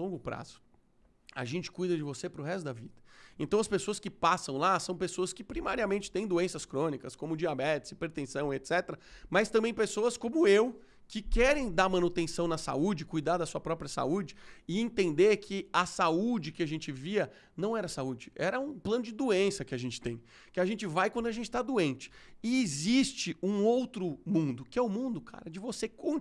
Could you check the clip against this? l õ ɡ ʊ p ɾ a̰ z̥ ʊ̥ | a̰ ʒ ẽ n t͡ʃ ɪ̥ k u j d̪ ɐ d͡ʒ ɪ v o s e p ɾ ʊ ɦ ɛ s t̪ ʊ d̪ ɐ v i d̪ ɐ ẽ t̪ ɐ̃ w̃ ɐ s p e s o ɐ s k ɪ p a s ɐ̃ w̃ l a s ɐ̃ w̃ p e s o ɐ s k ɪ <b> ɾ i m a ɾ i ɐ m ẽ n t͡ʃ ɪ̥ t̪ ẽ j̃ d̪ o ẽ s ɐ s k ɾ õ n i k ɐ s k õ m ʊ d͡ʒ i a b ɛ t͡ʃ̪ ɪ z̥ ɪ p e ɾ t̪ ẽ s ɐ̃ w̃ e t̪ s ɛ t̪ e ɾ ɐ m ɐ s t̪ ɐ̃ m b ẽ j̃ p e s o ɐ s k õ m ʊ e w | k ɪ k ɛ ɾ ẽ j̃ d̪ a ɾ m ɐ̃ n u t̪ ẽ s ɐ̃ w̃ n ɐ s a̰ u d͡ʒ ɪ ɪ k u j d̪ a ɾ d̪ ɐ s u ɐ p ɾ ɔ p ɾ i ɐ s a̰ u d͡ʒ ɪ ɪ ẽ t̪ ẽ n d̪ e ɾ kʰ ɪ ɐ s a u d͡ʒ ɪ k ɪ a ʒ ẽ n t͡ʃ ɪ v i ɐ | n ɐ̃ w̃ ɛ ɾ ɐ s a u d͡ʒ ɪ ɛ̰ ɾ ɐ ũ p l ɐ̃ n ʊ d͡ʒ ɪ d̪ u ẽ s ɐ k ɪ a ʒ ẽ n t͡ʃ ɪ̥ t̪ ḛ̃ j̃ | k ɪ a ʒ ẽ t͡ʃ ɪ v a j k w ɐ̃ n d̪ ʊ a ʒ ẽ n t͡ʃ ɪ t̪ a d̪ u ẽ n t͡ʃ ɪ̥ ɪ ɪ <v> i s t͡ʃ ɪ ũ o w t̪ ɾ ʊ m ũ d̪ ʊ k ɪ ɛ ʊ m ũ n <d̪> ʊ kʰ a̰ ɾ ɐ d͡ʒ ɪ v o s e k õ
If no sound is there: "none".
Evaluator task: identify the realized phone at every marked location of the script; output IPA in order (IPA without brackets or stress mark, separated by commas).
p, z, d̪